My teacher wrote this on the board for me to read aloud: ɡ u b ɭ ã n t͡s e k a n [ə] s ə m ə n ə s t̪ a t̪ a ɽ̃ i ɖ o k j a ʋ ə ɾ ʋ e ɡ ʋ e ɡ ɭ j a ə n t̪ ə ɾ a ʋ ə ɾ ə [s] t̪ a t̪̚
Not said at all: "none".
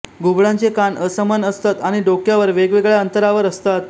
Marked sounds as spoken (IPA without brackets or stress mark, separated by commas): ə, s